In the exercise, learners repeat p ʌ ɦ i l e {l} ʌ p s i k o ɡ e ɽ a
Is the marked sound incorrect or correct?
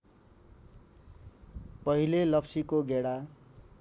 correct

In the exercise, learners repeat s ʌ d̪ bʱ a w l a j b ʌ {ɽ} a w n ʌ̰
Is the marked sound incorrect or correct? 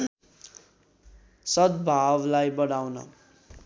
correct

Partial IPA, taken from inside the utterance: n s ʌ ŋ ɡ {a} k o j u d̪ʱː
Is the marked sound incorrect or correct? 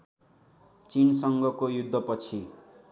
incorrect: ʌ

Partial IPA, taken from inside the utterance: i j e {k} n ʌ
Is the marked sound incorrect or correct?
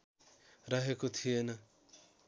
incorrect: none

